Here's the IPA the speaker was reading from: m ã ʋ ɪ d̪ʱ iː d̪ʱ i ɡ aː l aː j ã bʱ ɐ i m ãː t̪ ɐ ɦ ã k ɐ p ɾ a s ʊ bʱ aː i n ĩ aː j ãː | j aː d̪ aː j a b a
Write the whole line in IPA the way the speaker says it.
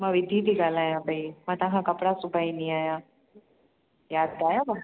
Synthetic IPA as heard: m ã ʋ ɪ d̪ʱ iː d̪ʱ i ɡ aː l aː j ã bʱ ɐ i m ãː t̪ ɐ ɦ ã k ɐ p ɽ a s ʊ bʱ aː i n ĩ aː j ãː | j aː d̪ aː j a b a

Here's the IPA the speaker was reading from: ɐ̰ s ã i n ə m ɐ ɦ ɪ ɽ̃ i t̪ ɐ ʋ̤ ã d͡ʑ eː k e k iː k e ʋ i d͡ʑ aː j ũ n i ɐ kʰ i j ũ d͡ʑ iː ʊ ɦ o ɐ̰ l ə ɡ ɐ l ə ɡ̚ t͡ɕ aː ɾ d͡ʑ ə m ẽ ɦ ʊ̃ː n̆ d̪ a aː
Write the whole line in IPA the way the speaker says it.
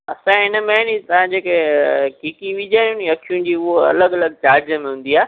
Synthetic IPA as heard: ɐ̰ s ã ɪ n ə m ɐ ɦ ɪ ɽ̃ i t̪ ɐ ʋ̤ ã d͡ʑ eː k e k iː k i ʋ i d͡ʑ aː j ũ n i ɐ kʰ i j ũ d͡ʑ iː ʊ ɦ o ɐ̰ l ə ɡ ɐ l ə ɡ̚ t͡ɕ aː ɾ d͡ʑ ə m ẽ ɦ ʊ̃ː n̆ d̪ i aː

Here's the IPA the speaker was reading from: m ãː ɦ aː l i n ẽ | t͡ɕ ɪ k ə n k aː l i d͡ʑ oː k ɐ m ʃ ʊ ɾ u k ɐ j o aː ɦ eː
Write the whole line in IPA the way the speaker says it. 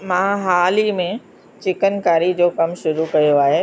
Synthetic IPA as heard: m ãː ɦ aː l i m ẽ | t͡ɕ ɪ k ə n k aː ɾ i d͡ʑ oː k ɐ m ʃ ʊ ɾ u k ɐ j o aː ɦ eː

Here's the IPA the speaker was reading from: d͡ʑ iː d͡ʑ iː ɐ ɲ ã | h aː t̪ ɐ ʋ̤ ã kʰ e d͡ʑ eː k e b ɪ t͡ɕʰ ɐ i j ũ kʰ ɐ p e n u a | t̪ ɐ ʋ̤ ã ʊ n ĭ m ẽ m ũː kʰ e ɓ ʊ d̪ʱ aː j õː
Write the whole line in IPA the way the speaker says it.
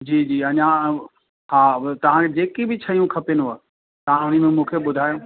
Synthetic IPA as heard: d͡ʑ iː d͡ʑ iː ɐ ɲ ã | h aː t̪ ɐ ʋ̤ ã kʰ e d͡ʑ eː k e b ɪ t͡ɕʰ ɐ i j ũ kʰ ɐ p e n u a | t̪ ɐ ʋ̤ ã ʊ n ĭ m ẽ m ũː kʰ e ɓ ʊ d̪ʱ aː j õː

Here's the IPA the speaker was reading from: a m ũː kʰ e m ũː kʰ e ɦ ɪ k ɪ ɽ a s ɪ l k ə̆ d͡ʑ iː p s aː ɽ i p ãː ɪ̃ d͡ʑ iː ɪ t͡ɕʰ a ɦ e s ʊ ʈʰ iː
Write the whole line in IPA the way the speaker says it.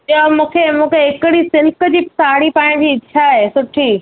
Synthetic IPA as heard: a m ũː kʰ e m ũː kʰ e ɦ ɪ k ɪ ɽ i s ɪ l k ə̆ d͡ʑ iː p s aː ɽ i p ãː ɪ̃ d͡ʑ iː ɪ t͡ɕʰ a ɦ e s ʊ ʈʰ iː

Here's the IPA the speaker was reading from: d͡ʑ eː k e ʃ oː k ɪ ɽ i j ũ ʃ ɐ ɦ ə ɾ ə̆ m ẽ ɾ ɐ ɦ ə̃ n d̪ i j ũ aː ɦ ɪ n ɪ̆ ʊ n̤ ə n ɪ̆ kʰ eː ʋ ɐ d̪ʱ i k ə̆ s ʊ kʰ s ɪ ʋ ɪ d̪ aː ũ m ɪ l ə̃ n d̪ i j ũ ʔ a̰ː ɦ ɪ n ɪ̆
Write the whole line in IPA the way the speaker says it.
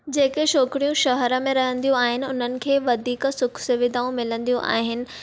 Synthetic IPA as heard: d͡ʑ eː k e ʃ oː k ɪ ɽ i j ũ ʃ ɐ ɦ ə ɾ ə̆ m ẽ ɾ ɐ ɦ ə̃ n d̪ i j ũ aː ɦ ɪ n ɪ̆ ʊ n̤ ə n ɪ̆ kʰ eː ʋ ɐ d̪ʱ iː k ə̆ s ʊ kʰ s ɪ ʋ ɪ d̪ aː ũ m ɪ l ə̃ n d̪ i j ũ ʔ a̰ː ɦ ɪ n ɪ̆

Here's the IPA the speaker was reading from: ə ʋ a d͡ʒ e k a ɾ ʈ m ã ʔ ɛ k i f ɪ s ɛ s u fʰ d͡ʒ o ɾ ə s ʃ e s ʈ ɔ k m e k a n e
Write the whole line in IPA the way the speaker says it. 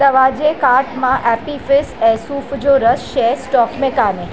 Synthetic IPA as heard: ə ʋ a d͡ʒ e k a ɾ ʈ m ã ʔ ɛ p i f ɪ s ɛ s u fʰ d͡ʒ o ɾ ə s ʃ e s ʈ ɔ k m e k a n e

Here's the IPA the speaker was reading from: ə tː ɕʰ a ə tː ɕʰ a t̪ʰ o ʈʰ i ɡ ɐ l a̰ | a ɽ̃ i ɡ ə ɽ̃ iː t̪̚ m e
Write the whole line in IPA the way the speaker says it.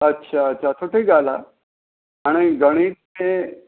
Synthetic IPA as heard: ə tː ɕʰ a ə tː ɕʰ a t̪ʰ o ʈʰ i ɡ a l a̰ | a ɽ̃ i ɡ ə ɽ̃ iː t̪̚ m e

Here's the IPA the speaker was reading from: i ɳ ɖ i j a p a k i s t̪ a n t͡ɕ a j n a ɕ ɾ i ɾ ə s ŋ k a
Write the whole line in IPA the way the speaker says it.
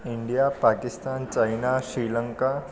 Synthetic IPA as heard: i ɳ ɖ i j a p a k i s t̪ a n t͡ɕ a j n a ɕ ɾ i l ə ŋ k a

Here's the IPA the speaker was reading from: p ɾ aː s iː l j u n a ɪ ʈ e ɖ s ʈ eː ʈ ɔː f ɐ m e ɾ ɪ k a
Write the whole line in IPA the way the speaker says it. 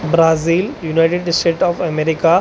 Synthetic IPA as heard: b ɾ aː z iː l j u n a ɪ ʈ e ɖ s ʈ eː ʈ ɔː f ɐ m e ɾ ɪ k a

